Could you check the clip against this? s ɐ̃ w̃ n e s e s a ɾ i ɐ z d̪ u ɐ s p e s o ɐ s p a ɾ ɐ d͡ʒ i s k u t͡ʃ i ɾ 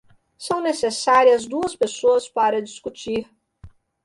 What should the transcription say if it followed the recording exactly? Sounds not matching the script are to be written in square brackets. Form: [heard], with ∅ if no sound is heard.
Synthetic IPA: s ɐ̃ w̃ n e s e s a ɾ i ɐ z d̪ u ɐ s p e s o ɐ s p a ɾ ɐ d͡ʒ i s k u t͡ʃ i ɾ